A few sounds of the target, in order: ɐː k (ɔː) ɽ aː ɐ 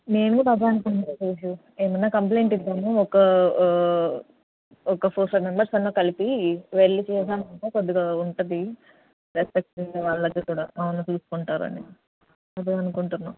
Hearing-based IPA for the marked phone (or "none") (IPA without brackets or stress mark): uː